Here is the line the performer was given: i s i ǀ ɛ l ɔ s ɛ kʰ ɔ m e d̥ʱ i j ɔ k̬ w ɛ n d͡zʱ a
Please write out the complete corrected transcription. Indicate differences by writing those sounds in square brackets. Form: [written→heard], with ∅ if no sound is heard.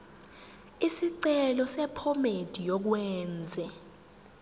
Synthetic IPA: i s i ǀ ɛ l ɔ s ɛ [kʰ→pʰ] ɔ m e d̥ʱ i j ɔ k̬ w [ɛ→ɛː] n d͡zʱ [a→ɛ]